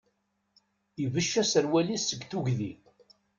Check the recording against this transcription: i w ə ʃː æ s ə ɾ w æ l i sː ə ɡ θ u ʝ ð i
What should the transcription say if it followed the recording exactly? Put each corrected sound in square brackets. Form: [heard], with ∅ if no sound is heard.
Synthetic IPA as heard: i [v] ə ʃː æ s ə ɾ w æ l i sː ə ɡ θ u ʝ ð i